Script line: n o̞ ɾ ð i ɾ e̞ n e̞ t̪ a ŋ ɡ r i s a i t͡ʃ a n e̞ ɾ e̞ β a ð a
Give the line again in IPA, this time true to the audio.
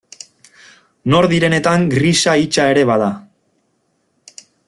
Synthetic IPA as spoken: n o̞ ɾ ð i ɾ e̞ n e̞ t̪ a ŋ ɡ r i s a i t͡ʃ a e̞ ɾ e̞ β a ð a